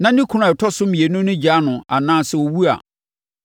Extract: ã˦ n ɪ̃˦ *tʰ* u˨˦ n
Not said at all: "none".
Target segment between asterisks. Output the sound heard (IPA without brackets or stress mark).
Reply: kʰ